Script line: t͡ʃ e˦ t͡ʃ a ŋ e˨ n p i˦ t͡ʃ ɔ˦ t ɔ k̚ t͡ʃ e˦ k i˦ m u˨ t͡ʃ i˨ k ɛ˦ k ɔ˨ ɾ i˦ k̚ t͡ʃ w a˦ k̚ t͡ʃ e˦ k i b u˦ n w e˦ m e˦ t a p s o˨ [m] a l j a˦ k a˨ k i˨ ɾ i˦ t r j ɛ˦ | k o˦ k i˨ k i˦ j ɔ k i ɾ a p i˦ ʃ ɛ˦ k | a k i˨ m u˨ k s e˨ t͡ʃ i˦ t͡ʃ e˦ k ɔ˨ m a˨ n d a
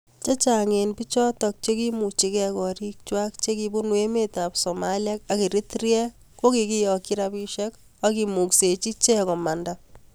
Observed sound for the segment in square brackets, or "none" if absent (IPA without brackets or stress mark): m